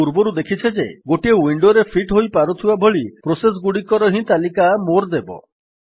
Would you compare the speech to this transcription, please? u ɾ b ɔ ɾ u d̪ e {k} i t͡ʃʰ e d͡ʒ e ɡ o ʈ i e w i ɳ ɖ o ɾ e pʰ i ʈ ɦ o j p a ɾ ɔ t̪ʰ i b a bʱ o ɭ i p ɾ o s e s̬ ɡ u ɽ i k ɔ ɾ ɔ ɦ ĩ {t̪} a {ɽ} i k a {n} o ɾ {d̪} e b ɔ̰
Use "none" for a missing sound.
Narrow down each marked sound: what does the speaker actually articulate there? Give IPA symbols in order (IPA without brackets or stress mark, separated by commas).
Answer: kʰ, t̪, l, m, d̪